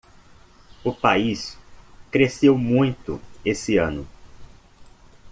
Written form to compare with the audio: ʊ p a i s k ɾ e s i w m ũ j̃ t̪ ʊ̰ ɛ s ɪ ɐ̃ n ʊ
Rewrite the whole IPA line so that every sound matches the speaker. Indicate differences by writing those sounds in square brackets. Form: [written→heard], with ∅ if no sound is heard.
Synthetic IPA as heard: ʊ p a i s k ɾ e s [i→e] w m ũ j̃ t̪ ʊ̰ [ɛ→e] s ɪ ɐ̃ n ʊ